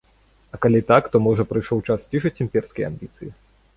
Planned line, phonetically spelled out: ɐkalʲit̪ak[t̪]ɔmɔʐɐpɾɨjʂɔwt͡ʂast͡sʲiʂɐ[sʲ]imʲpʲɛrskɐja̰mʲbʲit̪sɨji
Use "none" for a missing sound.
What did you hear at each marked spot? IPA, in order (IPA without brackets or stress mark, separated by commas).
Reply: t̪, t͡sʲ